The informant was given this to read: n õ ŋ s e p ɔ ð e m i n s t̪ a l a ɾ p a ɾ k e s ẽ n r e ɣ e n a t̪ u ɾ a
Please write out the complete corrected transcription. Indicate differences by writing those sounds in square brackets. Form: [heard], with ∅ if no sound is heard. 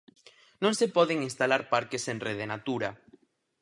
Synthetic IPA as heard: n õ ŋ s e p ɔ ð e [ŋ] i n s t̪ a l a ɾ p a ɾ k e s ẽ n r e [ð] e n a t̪ u ɾ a